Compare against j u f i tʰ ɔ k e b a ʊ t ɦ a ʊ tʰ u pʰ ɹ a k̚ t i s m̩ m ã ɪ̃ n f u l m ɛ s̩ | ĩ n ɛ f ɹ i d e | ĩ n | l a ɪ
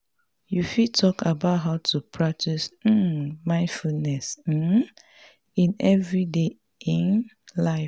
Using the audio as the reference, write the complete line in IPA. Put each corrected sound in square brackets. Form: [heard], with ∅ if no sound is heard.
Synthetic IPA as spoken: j u f i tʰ ɔ k [a] b a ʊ t ɦ a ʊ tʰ u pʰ ɹ a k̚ t i s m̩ m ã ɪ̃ n f u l [n] ɛ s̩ | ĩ n ɛ [v] ɹ i d e | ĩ n | l a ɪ